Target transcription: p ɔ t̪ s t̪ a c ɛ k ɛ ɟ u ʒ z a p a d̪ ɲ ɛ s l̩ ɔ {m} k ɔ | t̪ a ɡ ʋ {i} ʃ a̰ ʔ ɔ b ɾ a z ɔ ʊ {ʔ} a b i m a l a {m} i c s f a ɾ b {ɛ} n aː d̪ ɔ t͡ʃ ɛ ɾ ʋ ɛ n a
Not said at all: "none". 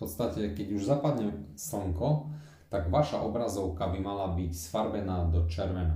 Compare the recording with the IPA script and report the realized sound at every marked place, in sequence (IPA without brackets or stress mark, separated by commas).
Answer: ŋ, a, k, b, ɛ